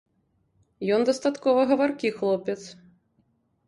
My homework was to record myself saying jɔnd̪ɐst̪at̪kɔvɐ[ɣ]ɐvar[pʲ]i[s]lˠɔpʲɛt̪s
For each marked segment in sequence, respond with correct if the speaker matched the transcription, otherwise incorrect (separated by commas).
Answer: correct, incorrect, incorrect